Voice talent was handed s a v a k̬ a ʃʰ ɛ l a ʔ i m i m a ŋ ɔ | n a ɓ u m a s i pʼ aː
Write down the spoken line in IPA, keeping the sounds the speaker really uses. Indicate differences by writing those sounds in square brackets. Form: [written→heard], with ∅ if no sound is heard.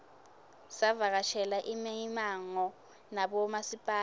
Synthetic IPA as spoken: s a v a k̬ a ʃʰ ɛ l a ʔ i m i m a ŋ ɔ | n a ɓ [u→ɔ] m a s i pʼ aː